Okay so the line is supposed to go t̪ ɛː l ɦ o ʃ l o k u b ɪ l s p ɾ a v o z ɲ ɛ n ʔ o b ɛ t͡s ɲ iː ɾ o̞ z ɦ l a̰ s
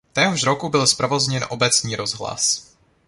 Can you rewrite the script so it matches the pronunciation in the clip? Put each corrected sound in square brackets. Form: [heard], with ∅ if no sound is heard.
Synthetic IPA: t̪ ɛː [∅] ɦ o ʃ [ɾ] o k u b ɪ l s p ɾ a v o z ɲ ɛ n ʔ o b ɛ t͡s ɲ iː ɾ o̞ z ɦ l a̰ s

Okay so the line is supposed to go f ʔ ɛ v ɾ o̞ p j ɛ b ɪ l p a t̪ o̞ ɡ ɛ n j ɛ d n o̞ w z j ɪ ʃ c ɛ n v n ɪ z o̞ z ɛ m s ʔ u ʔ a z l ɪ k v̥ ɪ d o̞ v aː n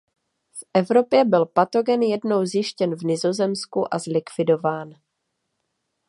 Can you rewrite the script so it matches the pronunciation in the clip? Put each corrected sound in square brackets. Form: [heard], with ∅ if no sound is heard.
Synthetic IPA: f ʔ ɛ v ɾ o̞ p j ɛ b ɪ l p a t̪ o̞ ɡ ɛ n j ɛ d n o̞ w z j ɪ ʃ c ɛ n v n ɪ z o̞ z ɛ m s [k] u ʔ a z l ɪ k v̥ ɪ d o̞ v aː n

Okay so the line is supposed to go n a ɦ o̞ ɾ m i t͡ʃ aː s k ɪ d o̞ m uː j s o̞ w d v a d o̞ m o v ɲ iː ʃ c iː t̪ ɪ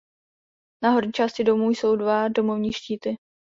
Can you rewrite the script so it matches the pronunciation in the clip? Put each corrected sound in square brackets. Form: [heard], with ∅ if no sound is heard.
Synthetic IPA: n a ɦ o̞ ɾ [ɲ] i t͡ʃ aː s [c] ɪ d o̞ m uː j s o̞ w d v a d o̞ m o v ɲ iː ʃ c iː t̪ ɪ

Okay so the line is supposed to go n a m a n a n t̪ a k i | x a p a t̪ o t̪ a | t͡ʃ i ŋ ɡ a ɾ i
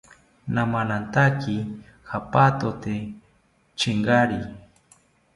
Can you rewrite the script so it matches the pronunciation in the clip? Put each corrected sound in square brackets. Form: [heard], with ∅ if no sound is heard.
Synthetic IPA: n a m a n a n t̪ a k i | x a p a t̪ o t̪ [e] | t͡ʃ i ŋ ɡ a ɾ i

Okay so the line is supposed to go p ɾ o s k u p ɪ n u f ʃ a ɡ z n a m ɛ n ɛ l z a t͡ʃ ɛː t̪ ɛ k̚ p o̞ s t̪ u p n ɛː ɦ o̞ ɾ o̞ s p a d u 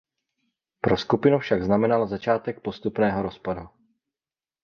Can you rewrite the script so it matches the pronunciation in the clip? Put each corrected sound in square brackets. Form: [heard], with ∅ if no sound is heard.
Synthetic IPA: p ɾ o s k u p ɪ n u f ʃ a ɡ z n a m ɛ n [a] l z a t͡ʃ [aː] t̪ ɛ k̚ p o̞ s t̪ u p n ɛː ɦ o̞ ɾ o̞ s p a d u

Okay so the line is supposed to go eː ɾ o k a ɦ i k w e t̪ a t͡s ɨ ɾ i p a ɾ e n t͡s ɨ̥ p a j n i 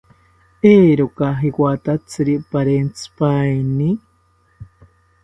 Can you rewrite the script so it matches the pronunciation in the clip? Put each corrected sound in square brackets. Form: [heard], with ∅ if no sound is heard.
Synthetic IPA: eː ɾ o k a ɦ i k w [a] t̪ a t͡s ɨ ɾ i p a ɾ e n t͡s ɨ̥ p a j n i

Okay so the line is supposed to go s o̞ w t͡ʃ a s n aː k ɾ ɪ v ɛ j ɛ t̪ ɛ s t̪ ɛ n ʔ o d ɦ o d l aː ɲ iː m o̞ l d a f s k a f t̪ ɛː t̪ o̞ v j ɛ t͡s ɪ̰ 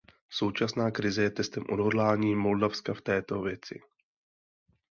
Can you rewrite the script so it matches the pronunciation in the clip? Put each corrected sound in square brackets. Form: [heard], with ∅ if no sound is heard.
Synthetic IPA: s o̞ w t͡ʃ a s n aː k ɾ ɪ [z] ɛ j ɛ t̪ ɛ s t̪ ɛ [m] ʔ o d ɦ o d l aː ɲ iː m o̞ l d a f s k a f t̪ ɛː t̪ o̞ v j ɛ t͡s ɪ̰

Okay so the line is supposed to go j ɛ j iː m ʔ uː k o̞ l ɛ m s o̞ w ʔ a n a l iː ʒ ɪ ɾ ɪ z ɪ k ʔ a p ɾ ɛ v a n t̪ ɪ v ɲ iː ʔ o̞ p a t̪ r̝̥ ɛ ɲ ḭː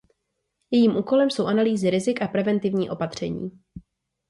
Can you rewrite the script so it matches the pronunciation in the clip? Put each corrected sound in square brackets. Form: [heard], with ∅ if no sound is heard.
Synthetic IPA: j ɛ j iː m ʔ uː k o̞ l ɛ m s o̞ w ʔ a n a l iː [z] ɪ ɾ ɪ z ɪ k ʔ a p ɾ ɛ v [ɛ] n t̪ ɪ v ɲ iː ʔ o̞ p a t̪ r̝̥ ɛ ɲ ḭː

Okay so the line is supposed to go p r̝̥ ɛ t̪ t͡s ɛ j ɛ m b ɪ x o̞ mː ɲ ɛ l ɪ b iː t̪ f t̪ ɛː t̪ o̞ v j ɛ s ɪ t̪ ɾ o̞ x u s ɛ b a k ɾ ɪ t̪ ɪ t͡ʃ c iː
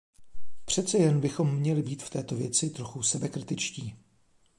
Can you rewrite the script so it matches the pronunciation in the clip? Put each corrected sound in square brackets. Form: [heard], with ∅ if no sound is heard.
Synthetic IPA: p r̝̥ ɛ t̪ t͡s ɛ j ɛ [n] b ɪ x o̞ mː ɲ ɛ l ɪ b iː t̪ f t̪ ɛː t̪ o̞ v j ɛ [t͡s] ɪ t̪ ɾ o̞ x u s ɛ b [ɛ] k ɾ ɪ t̪ ɪ t͡ʃ c iː

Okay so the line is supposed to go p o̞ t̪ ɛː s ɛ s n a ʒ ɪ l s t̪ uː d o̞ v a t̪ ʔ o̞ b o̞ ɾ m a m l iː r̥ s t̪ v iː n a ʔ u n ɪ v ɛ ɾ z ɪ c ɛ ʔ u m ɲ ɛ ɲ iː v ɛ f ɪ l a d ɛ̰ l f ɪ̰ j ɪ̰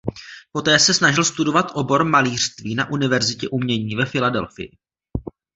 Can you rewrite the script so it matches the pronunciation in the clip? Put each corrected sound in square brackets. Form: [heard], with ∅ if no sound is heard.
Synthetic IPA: p o̞ t̪ ɛː s ɛ s n a ʒ ɪ l s t̪ [u] d o̞ v a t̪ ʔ o̞ b o̞ ɾ m a [∅] l iː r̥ s t̪ v iː n a ʔ u n ɪ v ɛ ɾ z ɪ c ɛ ʔ u m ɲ ɛ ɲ iː v ɛ f ɪ l a d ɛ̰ l f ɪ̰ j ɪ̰

